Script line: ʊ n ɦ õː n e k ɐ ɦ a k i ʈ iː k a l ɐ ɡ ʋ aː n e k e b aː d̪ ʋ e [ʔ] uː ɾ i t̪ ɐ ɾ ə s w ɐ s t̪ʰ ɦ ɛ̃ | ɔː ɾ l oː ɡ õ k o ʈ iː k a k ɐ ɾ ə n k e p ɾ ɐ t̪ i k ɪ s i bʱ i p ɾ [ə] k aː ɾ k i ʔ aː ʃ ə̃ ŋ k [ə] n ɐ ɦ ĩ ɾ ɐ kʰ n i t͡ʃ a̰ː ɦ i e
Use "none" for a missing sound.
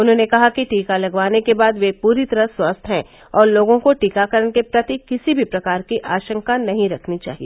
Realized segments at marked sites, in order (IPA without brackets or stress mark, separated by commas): p, ɐ, a